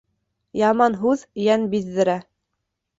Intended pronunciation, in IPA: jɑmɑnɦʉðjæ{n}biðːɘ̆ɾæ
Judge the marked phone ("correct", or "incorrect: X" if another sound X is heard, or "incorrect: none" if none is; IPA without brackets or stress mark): correct